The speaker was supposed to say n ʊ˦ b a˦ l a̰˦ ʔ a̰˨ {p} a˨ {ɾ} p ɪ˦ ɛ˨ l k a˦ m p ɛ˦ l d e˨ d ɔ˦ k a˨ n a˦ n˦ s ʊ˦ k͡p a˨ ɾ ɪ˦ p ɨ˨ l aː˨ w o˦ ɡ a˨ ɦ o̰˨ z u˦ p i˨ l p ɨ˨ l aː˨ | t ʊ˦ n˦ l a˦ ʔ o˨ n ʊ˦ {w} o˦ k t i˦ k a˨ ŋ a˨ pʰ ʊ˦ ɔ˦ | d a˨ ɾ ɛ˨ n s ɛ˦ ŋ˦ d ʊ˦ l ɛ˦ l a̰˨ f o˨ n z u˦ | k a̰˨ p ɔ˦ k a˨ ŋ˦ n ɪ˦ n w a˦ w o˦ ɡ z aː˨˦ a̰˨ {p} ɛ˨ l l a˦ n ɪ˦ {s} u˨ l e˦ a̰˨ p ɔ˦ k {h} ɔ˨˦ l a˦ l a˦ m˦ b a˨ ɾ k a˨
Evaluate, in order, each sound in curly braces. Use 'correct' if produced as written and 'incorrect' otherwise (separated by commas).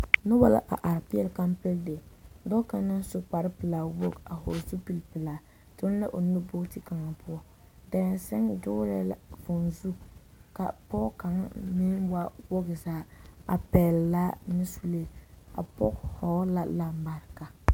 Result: incorrect, correct, incorrect, correct, correct, correct